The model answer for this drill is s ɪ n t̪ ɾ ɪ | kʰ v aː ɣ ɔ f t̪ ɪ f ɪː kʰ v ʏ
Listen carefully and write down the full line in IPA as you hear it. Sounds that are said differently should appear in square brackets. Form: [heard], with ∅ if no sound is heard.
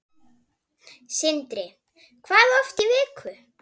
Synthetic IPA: s ɪ n t̪ ɾ ɪ | kʰ v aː [ð] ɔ f t̪ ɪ [v] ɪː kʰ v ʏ